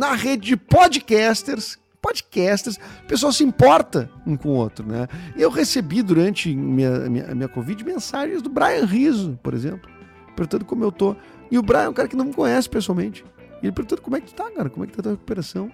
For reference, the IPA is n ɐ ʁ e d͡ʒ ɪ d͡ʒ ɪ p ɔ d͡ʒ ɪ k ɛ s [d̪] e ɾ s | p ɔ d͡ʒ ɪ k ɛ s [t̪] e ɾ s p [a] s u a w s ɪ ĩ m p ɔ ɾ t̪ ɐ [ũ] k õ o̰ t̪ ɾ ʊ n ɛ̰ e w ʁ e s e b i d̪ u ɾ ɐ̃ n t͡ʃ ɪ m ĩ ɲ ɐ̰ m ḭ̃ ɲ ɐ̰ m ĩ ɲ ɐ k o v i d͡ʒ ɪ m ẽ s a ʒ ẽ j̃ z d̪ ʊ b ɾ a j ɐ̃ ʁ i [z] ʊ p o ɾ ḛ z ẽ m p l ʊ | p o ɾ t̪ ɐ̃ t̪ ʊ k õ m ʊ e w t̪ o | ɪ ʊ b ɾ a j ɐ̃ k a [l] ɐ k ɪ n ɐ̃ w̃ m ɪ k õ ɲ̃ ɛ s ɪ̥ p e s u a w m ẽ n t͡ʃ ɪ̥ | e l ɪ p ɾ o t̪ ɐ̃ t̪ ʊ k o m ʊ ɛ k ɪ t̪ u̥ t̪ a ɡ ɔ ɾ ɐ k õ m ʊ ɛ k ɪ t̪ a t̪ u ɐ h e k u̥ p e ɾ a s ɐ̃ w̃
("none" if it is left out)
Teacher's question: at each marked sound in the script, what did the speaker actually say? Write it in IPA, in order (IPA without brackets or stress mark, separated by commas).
t̪, t̪, e, ũ, z, ɾ